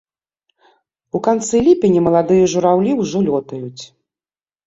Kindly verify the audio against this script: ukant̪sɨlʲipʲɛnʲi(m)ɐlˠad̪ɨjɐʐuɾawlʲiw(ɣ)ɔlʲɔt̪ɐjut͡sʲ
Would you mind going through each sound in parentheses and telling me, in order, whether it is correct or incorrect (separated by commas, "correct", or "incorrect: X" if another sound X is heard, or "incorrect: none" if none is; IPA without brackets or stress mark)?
correct, incorrect: ʐ